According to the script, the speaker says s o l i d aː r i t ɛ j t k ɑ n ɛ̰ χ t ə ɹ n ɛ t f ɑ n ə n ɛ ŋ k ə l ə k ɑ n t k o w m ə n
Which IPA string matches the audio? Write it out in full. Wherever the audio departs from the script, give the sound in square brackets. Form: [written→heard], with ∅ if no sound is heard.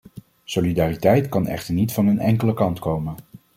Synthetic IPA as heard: s o l i d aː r i t ɛ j t k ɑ n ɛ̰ χ t ə ɹ n [ɛ→i] t f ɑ n ə n ɛ ŋ k ə l ə k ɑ n t k o w m ə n